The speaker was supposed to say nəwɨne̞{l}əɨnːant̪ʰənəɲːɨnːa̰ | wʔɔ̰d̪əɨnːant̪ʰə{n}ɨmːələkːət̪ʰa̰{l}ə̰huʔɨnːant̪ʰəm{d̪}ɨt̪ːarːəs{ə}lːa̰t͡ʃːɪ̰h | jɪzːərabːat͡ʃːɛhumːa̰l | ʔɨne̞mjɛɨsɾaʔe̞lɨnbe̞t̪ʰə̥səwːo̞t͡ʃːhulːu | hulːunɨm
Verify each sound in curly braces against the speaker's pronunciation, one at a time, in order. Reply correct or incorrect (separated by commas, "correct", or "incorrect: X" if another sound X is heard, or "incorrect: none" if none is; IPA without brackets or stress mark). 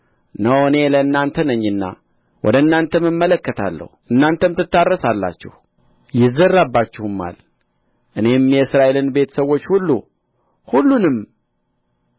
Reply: correct, incorrect: m, incorrect: lː, incorrect: t̪, incorrect: a